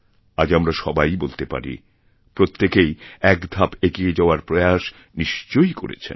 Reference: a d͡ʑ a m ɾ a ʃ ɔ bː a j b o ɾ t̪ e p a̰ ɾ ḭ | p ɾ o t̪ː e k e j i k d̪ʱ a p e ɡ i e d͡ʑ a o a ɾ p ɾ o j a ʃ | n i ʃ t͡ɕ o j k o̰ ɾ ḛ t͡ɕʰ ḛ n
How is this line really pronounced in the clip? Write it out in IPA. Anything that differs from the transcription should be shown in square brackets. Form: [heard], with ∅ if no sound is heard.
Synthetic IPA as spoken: a d͡ʑ a m ɾ a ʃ ɔ [b] a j b o [l] t̪ e p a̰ ɾ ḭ | p ɾ o t̪ː e k e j [ɛ] k d̪ʱ a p e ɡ i e d͡ʑ a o a ɾ p ɾ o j a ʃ | n i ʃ t͡ɕ o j k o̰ ɾ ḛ t͡ɕʰ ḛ n

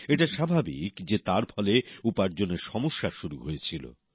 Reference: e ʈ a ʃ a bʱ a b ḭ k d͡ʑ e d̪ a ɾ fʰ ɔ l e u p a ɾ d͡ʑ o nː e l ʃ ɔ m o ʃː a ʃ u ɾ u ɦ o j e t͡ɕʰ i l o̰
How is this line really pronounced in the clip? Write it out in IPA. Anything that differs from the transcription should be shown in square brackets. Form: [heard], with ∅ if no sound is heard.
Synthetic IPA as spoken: e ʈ a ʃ a bʱ a b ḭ k d͡ʑ e [t̪] a ɾ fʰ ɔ l e u p a ɾ d͡ʑ o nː e [ɾ] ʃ ɔ m o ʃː a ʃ u ɾ u ɦ o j e t͡ɕʰ i l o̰

